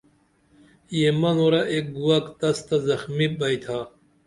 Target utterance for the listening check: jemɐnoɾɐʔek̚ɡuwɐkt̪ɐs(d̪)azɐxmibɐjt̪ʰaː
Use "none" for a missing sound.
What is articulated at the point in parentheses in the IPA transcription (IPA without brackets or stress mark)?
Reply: t̪